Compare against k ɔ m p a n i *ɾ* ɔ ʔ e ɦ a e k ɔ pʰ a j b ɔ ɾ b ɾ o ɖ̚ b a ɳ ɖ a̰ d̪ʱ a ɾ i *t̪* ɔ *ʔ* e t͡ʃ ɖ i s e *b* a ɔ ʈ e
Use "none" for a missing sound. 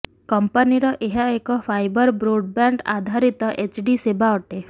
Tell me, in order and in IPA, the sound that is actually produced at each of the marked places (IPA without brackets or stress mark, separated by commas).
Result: ɾ, t̪, ʔ, b